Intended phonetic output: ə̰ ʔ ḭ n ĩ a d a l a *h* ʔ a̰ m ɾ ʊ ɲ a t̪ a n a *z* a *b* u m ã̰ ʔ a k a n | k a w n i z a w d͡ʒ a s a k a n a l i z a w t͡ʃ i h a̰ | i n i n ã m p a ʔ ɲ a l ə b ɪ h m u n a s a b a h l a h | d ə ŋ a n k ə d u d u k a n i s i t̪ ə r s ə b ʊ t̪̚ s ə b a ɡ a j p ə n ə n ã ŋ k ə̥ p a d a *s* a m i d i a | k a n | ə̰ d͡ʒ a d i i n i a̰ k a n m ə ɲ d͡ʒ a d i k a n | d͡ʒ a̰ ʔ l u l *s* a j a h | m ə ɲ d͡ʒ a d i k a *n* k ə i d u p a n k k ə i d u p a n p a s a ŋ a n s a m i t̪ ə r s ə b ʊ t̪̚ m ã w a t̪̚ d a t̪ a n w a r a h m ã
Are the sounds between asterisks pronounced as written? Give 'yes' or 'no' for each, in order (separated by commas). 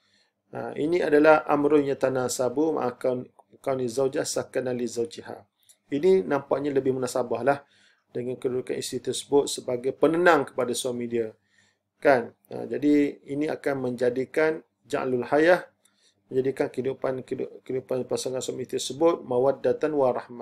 yes, no, yes, yes, no, yes